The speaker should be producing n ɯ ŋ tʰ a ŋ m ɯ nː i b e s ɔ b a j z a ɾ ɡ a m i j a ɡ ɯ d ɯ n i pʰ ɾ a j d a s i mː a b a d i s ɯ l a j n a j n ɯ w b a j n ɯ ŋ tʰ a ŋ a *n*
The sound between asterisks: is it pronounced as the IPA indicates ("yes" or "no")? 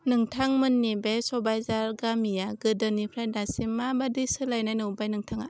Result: no